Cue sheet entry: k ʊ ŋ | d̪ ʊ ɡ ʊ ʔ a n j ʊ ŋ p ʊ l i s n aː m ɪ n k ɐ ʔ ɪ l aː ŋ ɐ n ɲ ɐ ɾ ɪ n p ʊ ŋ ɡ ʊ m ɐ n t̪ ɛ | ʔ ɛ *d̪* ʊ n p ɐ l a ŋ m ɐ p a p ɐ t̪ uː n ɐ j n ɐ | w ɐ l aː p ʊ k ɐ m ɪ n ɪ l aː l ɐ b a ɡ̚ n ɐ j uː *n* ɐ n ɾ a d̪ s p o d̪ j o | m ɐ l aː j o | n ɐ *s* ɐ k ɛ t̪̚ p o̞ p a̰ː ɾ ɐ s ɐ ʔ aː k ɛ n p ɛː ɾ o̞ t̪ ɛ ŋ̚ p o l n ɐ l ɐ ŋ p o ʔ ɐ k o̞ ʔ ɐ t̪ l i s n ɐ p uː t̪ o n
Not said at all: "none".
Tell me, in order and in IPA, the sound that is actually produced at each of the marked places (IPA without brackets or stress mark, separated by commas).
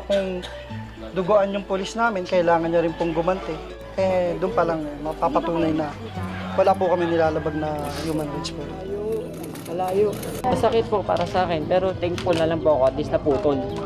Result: d̪, m, s